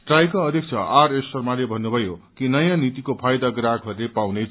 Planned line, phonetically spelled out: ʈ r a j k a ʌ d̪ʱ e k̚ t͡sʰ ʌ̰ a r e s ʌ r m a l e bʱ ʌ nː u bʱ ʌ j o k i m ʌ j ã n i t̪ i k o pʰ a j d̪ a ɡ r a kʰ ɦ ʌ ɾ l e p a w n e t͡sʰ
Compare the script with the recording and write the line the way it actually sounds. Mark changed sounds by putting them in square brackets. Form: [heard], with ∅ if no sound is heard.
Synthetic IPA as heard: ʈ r a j k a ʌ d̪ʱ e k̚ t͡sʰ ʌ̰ a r e s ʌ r m a l e bʱ ʌ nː u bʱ ʌ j o k i [n] ʌ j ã n i t̪ i k o pʰ a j d̪ a ɡ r a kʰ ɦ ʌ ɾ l e p a w n e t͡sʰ